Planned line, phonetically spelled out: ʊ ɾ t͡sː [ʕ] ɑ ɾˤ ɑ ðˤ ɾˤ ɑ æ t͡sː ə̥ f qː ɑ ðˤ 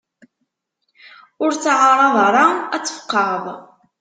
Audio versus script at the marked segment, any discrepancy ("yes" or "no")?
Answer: no